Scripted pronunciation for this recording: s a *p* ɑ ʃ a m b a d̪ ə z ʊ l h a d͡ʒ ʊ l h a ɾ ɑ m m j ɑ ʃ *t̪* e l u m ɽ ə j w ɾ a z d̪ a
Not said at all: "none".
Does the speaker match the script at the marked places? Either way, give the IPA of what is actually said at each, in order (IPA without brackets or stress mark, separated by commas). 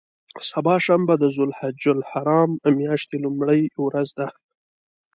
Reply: b, t̪